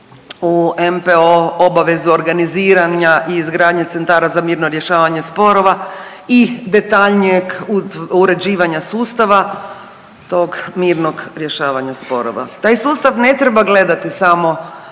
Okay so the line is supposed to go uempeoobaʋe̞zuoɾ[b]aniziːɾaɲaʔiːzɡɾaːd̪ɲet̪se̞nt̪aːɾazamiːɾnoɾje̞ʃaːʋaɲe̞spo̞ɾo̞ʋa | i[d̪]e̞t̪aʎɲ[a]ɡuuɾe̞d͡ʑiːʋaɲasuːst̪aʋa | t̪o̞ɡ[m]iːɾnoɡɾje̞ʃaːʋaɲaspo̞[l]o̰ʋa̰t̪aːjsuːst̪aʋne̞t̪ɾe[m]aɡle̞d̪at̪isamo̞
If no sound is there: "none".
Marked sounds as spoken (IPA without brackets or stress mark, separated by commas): ɡ, d̪, e, m, ɾ, b